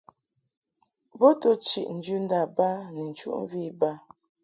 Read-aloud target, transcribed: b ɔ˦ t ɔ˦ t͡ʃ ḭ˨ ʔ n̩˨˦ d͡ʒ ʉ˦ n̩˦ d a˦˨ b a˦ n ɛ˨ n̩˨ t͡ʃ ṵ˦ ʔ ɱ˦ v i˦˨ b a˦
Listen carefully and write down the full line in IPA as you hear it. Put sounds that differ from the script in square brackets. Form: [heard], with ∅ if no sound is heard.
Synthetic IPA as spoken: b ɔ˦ t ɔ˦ t͡ʃ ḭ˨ ʔ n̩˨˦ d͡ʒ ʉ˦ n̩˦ d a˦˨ b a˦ n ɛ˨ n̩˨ t͡ʃ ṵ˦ ʔ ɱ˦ v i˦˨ b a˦